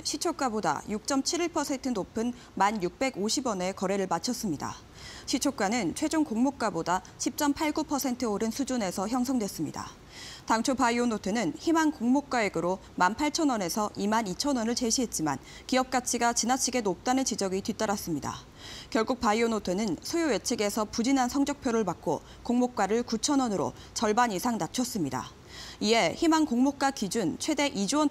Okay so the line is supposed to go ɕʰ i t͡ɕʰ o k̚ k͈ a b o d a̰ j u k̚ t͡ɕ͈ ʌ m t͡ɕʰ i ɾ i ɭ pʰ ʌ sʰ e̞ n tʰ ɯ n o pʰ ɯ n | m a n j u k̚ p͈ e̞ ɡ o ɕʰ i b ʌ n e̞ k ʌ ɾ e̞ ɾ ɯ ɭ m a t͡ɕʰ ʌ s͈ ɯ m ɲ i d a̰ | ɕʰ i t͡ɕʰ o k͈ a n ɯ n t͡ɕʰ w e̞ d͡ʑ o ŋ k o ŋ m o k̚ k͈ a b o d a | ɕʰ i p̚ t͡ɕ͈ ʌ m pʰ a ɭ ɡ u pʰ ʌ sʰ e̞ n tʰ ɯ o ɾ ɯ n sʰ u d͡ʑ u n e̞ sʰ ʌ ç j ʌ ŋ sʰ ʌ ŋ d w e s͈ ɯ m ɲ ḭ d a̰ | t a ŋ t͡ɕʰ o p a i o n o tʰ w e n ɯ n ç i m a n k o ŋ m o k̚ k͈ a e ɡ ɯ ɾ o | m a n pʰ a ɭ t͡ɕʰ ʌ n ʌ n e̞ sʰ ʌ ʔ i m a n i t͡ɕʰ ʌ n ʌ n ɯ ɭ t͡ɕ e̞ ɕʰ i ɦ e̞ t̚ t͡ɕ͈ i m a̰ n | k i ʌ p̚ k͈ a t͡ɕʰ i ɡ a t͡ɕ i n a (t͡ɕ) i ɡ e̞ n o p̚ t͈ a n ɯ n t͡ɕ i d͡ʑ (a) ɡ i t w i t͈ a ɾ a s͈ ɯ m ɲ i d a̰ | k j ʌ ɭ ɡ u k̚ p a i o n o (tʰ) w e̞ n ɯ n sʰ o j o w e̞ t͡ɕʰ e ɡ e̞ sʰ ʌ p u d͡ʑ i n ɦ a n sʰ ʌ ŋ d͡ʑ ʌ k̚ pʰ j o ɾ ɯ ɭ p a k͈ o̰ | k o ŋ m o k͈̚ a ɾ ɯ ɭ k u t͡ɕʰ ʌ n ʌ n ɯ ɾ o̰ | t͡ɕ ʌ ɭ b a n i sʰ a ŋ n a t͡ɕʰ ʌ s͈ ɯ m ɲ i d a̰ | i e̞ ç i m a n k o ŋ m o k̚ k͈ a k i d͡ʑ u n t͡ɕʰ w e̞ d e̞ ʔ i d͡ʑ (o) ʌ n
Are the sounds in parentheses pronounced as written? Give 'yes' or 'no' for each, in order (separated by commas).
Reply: no, no, yes, no